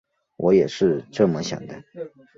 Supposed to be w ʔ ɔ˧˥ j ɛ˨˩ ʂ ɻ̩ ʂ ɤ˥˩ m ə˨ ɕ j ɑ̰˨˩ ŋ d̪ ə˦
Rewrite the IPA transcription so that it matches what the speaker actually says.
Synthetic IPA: w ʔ ɔ˧˥ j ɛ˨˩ ʂ ɻ̩ ʈ͡ʂ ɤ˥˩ m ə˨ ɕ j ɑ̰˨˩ ŋ d̪ ə˦